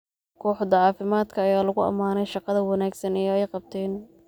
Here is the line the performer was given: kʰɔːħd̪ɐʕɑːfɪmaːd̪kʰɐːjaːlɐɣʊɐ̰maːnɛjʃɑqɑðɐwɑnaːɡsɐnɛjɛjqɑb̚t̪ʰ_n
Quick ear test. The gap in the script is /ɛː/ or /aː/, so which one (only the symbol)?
ɛː